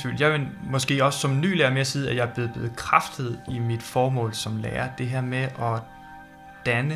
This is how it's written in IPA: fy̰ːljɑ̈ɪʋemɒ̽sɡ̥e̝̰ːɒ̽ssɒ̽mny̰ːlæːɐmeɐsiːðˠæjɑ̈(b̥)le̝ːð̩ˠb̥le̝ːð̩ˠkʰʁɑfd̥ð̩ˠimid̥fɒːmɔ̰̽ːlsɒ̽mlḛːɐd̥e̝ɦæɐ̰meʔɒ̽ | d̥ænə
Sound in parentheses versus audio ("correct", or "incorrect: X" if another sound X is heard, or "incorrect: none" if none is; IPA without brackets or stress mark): correct